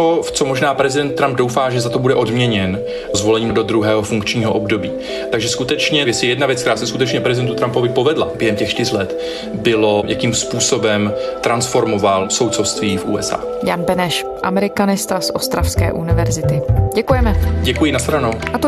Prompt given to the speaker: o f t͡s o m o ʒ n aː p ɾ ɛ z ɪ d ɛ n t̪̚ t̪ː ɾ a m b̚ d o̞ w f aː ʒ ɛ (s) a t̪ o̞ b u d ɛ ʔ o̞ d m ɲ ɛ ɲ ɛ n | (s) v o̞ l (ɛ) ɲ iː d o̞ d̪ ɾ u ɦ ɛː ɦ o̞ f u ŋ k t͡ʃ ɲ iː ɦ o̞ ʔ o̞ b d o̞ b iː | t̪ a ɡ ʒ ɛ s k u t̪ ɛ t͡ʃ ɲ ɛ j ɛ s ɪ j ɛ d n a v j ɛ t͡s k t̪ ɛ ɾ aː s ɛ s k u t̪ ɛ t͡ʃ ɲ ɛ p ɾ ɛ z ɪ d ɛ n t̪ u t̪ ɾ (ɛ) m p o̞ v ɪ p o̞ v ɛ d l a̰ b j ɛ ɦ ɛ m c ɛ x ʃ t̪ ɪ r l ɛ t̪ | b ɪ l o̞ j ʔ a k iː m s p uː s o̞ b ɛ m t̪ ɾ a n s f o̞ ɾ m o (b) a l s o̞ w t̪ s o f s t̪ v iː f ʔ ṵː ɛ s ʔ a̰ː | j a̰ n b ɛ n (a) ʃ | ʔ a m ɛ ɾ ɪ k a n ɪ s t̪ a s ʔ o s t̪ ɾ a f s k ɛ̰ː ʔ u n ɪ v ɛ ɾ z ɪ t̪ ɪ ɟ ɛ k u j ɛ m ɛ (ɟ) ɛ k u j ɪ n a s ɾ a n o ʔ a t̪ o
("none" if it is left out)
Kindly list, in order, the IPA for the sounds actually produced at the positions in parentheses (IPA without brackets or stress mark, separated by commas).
z, z, ɛ, a, v, ɛ, ɟ